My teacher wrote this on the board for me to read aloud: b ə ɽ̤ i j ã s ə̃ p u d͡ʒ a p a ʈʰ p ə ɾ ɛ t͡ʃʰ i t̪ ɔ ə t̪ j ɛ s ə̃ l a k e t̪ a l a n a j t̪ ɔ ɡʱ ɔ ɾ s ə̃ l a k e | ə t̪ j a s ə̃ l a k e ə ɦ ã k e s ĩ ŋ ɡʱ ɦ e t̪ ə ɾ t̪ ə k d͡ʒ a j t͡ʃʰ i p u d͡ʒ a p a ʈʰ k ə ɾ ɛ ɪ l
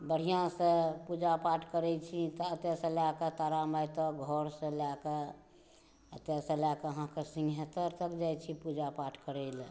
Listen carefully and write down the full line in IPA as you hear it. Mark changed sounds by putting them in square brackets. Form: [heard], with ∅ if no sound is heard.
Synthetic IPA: b ə ɽ̤ i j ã s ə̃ p u d͡ʒ a p a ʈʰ [k] ə ɾ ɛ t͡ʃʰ i t̪ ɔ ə t̪ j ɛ s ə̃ l a k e t̪ a [ɾ] a [m] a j t̪ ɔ ɡʱ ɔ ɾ s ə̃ l a k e | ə t̪ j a s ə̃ l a k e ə ɦ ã k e s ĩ ŋ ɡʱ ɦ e t̪ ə ɾ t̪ ə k d͡ʒ a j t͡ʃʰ i p u d͡ʒ a p a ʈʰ k ə ɾ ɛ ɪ l